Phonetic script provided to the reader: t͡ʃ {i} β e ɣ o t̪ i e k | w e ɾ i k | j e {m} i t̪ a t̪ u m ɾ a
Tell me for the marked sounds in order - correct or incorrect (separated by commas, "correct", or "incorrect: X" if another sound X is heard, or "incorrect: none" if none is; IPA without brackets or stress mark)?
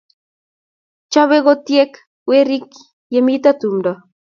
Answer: incorrect: a, correct